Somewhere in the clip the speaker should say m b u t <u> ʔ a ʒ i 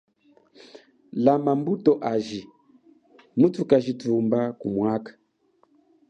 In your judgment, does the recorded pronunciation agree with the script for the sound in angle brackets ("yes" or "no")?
no